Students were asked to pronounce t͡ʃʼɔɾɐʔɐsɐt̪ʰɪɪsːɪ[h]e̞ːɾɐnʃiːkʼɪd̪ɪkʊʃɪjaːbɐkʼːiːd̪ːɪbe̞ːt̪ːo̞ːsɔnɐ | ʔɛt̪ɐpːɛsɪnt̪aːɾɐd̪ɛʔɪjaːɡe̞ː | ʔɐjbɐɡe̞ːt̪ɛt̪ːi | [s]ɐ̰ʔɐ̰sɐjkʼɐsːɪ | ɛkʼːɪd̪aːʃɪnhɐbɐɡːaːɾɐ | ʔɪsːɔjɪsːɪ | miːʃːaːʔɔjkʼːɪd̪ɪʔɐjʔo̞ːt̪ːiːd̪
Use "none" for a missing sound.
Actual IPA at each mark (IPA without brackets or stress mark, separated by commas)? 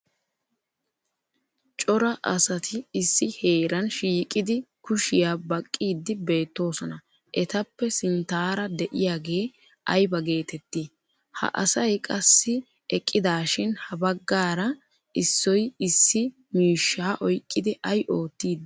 h, h